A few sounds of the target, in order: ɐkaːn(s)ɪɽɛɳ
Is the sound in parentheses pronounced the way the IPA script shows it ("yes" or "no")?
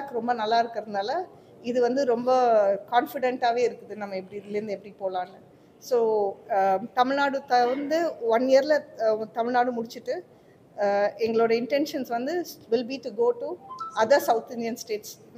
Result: no